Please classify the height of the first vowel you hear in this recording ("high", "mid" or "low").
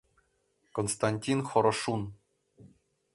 mid